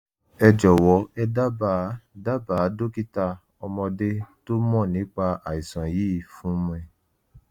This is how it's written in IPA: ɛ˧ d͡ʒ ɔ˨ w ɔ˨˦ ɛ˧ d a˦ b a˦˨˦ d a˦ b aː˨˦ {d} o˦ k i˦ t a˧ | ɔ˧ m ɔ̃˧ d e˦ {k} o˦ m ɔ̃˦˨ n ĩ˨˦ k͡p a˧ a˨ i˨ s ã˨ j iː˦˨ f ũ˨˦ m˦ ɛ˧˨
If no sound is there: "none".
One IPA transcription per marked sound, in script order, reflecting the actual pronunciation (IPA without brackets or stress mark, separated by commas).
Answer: d, t